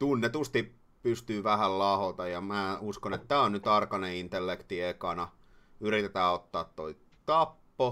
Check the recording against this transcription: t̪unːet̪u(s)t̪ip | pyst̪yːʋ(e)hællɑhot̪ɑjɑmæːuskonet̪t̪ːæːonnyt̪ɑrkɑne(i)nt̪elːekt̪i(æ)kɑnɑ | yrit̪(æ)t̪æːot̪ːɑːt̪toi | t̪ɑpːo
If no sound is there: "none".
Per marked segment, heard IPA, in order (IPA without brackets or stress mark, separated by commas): s, æ, i, e, e